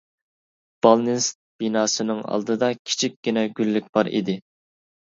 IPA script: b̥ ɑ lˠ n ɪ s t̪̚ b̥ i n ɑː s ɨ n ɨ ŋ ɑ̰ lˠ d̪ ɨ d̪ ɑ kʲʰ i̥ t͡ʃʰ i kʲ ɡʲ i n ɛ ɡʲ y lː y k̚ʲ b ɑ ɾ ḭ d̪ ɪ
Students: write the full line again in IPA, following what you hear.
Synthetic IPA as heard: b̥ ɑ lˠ n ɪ s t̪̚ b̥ i n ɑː s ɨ n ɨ ŋ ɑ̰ lˠ d̪ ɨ d̪ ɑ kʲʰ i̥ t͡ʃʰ i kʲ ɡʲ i n ɛ ɡʲ y lː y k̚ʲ b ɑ ɾ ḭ d̪ ɪ